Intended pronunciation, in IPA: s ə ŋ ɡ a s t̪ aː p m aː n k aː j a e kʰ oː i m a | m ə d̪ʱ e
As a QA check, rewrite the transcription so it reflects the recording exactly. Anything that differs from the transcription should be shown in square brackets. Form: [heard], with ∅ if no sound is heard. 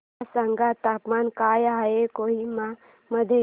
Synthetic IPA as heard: s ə ŋ ɡ a [∅] t̪ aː p m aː n k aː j a e [k] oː i m a | m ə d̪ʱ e